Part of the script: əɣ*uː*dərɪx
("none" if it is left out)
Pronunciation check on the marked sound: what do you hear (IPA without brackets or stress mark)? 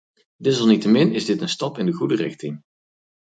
u